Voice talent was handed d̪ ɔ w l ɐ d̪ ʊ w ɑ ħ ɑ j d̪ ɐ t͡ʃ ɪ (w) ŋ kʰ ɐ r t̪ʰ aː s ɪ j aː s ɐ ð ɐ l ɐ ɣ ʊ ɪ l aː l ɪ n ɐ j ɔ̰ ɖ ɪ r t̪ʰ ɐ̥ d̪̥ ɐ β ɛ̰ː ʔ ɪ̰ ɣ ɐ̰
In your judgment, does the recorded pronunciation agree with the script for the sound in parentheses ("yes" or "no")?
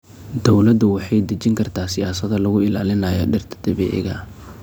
no